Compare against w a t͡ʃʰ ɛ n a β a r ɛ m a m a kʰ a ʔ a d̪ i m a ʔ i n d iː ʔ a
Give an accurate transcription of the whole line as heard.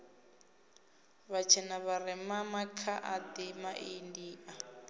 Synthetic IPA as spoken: β a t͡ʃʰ ɛ n a β a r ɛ m a m a kʰ a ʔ a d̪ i m a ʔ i n d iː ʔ a

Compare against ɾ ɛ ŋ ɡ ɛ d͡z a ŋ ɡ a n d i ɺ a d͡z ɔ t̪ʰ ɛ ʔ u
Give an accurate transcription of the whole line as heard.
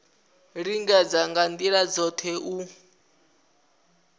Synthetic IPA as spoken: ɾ i ŋ ɡ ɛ d͡z a ŋ ɡ a n d i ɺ a d͡z ɔ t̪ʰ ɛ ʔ u

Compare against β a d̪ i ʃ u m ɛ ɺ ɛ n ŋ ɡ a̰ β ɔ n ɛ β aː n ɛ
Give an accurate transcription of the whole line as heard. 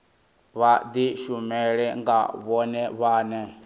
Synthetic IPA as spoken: β a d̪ i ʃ u m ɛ ɺ ɛ ŋ ɡ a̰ β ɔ n ɛ β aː n ɛ

